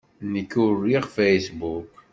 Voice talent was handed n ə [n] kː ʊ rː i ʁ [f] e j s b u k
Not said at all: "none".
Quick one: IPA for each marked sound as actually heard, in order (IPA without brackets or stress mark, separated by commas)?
none, f